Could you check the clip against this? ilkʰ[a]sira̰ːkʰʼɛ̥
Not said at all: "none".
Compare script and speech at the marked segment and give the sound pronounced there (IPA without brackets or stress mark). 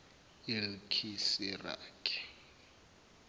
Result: i